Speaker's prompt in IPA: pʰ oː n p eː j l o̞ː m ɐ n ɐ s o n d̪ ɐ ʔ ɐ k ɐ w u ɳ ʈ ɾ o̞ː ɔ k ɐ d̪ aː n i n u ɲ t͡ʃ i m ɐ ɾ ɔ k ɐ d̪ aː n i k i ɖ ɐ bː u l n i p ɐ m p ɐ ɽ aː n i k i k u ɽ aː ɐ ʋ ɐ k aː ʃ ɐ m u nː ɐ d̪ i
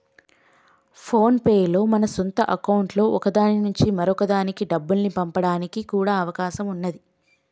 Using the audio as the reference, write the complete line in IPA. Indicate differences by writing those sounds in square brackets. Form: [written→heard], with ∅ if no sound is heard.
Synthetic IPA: pʰ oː n p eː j l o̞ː m ɐ n ɐ s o n [d̪→t̪] ɐ ʔ ɐ k ɐ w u ɳ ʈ [ɾ→l] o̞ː ɔ k ɐ d̪ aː n i n u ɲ t͡ʃ i m ɐ ɾ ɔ k ɐ d̪ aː n i k i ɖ ɐ bː u l n i p ɐ m p ɐ ɽ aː n i k i k [u→uː] ɽ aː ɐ ʋ ɐ k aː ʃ ɐ m u nː ɐ d̪ i